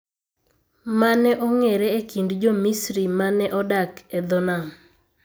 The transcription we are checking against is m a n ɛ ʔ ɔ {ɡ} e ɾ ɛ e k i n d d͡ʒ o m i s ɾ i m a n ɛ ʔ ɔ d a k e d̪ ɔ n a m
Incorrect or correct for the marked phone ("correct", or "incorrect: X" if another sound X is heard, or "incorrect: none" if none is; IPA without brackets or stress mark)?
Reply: incorrect: ŋ